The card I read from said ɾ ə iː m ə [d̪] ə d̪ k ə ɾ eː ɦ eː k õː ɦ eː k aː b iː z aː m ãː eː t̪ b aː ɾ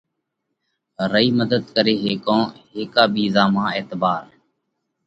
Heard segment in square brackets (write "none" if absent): d̪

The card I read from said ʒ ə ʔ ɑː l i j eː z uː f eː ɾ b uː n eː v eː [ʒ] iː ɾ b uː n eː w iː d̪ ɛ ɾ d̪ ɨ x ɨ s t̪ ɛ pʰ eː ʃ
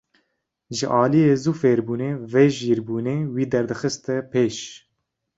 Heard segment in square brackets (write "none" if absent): ʒ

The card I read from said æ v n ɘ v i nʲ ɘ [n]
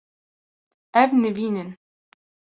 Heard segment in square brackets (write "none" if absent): n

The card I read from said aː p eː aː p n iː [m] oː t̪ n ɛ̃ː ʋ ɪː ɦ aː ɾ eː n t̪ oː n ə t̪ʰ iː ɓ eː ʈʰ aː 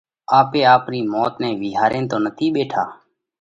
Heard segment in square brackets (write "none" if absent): m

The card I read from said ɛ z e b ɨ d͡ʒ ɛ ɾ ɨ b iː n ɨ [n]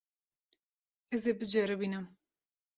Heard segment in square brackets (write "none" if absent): m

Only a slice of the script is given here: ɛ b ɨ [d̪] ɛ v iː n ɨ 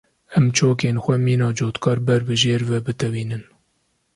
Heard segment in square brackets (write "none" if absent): t̪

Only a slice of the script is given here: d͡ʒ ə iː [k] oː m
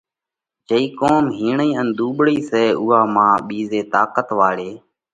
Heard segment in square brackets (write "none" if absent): k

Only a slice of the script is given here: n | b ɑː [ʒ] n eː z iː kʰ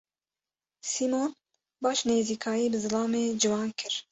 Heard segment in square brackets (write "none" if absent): ʃ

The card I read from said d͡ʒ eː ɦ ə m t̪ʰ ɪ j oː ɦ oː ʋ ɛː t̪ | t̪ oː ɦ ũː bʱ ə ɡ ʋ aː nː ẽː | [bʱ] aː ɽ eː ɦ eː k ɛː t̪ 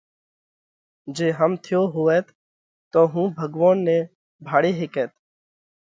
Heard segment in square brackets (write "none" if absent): bʱ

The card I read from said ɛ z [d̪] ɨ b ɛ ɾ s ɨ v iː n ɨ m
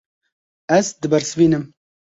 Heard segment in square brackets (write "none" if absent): d̪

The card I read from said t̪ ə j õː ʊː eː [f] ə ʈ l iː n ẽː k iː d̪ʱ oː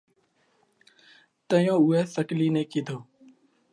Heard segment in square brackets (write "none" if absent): s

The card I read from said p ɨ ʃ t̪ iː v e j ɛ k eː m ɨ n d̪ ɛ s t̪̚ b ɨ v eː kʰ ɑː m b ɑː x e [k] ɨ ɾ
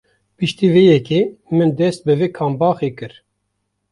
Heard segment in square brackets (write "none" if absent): k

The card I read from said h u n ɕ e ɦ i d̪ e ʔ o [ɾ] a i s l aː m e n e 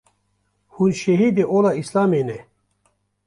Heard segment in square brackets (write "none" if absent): l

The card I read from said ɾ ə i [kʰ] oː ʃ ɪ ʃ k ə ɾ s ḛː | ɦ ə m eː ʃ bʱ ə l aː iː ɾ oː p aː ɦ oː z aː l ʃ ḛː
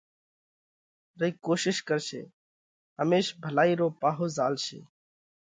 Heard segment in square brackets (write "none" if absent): k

